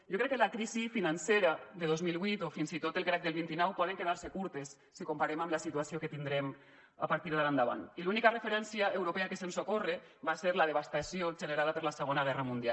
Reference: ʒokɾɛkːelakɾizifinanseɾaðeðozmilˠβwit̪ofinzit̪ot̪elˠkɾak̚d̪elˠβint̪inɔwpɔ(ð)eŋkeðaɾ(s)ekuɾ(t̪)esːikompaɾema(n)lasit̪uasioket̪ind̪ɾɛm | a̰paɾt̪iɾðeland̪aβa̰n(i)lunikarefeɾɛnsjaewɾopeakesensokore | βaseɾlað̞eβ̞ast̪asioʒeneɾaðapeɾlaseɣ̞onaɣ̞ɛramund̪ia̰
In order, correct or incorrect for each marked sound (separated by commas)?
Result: correct, correct, correct, incorrect, correct